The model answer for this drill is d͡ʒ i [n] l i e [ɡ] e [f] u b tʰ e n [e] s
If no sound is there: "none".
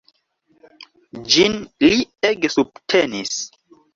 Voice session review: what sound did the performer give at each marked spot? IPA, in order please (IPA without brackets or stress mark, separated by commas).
n, ɡ, s, i